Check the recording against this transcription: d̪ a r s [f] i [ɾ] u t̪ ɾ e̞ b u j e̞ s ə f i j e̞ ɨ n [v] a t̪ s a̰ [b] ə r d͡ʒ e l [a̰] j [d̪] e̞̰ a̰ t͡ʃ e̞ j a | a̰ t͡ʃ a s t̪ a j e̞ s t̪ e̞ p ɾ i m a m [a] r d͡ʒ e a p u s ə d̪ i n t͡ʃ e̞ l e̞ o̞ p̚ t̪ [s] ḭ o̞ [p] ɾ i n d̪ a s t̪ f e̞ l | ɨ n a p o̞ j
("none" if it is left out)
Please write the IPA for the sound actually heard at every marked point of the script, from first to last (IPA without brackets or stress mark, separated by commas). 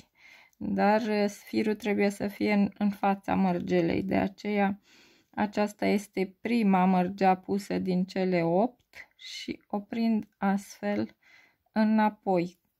f, ɾ, f, m, ḛ, d̪, ə, ʃ, p